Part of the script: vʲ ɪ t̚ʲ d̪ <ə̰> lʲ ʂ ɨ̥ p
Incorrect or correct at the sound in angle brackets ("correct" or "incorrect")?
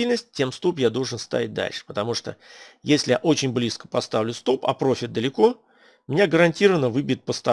incorrect